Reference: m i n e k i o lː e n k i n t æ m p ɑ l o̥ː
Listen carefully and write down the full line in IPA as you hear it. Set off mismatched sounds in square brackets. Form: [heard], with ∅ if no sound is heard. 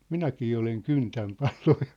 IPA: m i n [æ] k [iː] o [l] e [ŋ] k [y] n t æ m p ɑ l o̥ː